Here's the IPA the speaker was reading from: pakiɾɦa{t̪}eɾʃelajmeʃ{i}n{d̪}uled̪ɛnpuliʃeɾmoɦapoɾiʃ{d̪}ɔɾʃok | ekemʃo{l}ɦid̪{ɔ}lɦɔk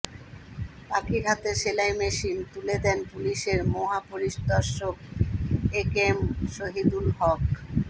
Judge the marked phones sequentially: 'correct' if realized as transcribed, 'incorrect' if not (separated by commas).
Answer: correct, correct, incorrect, correct, incorrect, incorrect